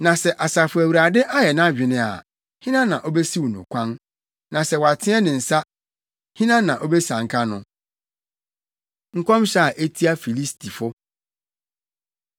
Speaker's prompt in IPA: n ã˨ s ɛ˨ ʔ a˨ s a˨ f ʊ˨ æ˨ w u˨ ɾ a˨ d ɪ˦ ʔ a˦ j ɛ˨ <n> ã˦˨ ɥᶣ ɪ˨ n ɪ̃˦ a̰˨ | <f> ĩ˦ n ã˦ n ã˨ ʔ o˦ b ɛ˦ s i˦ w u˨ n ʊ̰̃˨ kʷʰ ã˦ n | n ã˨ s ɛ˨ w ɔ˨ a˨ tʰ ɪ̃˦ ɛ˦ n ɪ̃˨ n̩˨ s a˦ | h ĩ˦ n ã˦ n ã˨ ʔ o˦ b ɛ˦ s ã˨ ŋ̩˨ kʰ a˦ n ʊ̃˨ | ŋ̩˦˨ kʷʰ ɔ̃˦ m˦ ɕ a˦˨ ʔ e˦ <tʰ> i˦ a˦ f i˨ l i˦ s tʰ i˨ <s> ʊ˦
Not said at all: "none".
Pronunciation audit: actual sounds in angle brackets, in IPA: n, h, tʰ, f

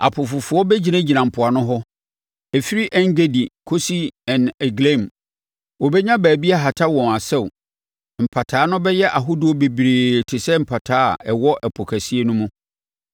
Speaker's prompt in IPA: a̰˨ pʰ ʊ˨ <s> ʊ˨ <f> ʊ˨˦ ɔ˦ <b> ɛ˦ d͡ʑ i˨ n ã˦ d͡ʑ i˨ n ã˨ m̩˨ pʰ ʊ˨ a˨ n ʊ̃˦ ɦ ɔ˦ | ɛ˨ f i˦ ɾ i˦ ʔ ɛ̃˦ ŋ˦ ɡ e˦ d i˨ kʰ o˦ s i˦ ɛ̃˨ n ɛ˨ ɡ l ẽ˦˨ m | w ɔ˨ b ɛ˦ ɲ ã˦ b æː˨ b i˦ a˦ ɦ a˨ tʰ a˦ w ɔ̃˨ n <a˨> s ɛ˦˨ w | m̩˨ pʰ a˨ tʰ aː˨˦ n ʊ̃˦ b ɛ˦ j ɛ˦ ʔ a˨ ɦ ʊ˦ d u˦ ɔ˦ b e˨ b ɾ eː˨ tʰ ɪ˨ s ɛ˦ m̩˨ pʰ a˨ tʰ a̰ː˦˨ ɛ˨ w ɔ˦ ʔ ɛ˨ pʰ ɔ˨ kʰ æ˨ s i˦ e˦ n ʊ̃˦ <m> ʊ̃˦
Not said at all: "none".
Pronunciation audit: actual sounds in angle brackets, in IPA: f, f, b, a˨, m

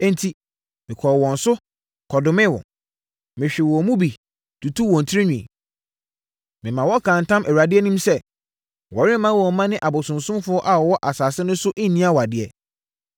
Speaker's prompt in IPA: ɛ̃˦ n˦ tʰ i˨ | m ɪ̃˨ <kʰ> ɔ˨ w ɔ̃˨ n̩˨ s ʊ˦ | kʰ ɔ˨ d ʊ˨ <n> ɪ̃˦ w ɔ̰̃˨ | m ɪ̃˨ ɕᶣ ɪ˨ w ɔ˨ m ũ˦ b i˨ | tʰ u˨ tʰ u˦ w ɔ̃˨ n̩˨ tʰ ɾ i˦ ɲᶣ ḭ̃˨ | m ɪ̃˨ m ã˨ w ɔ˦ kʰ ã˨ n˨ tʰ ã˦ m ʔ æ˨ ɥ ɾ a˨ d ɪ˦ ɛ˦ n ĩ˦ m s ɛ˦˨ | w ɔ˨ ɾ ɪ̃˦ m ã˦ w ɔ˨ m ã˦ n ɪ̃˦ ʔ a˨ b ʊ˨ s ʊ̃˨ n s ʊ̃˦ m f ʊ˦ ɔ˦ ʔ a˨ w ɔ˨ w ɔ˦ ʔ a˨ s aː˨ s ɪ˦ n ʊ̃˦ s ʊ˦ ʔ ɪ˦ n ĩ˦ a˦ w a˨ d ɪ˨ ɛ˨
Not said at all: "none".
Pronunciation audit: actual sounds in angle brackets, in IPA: kʰ, m

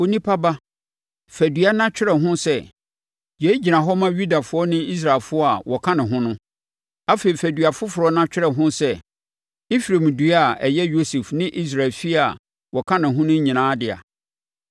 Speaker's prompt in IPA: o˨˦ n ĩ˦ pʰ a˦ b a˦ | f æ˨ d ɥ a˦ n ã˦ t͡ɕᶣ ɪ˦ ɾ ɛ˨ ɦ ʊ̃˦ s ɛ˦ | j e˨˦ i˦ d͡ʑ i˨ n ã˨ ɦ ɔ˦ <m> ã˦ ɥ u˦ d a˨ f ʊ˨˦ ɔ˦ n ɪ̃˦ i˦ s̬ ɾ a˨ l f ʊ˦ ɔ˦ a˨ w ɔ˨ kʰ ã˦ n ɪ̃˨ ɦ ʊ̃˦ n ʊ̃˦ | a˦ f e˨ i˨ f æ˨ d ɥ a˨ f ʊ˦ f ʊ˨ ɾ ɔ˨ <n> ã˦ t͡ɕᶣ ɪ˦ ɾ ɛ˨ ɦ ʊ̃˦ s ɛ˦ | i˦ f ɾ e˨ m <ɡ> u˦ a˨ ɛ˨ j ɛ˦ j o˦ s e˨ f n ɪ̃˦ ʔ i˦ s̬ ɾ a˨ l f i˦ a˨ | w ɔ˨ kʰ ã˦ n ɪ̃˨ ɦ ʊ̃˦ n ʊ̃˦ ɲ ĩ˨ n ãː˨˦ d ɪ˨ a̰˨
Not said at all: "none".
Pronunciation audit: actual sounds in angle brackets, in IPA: m, n, d

